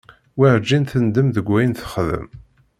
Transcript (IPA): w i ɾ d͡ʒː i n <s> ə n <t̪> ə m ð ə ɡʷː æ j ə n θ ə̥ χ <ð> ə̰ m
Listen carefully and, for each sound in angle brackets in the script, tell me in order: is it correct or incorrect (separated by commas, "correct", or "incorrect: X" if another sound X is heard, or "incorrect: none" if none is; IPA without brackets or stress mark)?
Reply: incorrect: θ, incorrect: d̪, correct